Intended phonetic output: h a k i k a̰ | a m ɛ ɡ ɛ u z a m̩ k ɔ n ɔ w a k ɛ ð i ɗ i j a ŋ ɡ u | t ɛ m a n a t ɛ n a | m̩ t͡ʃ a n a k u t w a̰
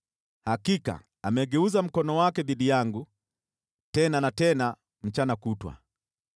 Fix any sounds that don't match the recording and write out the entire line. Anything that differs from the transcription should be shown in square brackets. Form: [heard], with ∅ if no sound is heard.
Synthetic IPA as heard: h a k i k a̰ | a m ɛ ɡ ɛ u z a m̩ k ɔ n ɔ w a k ɛ ð i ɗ i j a ŋ ɡ u | t ɛ [n] a n a t ɛ n a | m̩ t͡ʃ a n a k u t w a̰